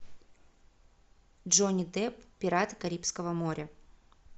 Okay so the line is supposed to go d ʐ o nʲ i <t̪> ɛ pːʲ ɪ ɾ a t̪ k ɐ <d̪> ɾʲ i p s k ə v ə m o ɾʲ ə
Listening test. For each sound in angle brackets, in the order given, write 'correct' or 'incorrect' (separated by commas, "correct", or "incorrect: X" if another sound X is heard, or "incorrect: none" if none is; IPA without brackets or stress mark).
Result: incorrect: d̪, incorrect: none